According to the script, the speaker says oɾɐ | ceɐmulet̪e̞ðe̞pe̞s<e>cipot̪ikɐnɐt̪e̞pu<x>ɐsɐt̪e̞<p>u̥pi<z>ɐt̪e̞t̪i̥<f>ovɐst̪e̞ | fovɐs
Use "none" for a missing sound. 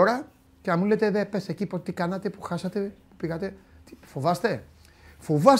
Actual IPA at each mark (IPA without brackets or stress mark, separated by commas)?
e, x, p, ɣ, f